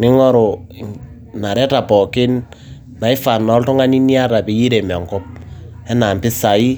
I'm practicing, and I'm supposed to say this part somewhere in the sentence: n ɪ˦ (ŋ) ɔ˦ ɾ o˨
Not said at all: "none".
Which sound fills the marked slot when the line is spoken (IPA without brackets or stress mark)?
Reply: ŋ